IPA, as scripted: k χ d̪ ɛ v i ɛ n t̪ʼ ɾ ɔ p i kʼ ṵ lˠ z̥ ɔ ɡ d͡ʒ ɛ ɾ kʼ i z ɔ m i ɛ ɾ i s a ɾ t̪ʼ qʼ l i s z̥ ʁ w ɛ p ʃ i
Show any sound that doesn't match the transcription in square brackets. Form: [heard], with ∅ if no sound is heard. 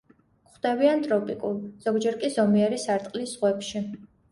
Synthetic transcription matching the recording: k χ d̪ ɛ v i [a] n t̪ʼ ɾ ɔ [pʼ] i kʼ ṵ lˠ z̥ ɔ ɡ d͡ʒ ɛ ɾ kʼ i z ɔ m i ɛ ɾ i s a ɾ t̪ʼ qʼ l i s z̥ ʁ w ɛ p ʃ i